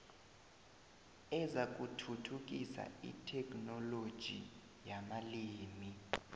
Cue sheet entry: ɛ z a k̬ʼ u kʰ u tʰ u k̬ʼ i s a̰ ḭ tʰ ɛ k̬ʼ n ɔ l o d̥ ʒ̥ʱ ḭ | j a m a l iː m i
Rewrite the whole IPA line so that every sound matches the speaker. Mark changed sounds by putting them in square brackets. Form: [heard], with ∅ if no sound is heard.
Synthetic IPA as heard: ɛ z a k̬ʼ u [tʰ] u tʰ u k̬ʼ i s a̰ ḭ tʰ ɛ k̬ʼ n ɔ l o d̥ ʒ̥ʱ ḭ | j a m a l iː m i